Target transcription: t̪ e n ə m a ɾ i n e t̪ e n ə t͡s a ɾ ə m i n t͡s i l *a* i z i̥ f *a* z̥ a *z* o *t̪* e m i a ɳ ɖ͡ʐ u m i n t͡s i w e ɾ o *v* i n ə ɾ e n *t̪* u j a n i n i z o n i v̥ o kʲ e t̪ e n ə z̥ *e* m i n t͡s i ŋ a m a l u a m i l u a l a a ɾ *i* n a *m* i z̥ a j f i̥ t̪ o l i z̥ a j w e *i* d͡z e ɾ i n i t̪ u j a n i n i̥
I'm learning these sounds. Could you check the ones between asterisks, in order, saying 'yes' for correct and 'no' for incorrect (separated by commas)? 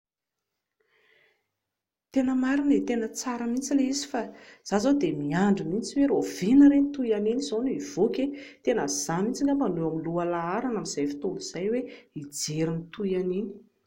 no, yes, yes, no, yes, yes, no, no, yes, yes